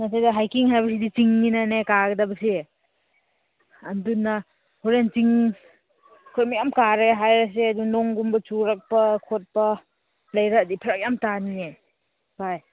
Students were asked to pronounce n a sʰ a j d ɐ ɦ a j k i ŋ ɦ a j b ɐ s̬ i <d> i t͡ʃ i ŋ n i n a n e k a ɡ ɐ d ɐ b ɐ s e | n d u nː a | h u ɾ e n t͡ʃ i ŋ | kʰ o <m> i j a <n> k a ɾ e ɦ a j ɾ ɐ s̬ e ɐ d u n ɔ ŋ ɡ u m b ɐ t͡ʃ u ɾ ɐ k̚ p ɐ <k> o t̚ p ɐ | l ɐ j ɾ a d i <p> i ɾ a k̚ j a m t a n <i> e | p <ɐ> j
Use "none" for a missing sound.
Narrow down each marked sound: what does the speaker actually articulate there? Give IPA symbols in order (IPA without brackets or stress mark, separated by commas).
d, m, m, kʰ, pʰ, i, a